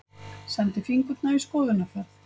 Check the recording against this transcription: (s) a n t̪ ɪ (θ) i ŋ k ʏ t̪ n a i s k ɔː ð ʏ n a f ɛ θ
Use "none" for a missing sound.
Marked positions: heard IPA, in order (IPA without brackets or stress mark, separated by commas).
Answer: s, f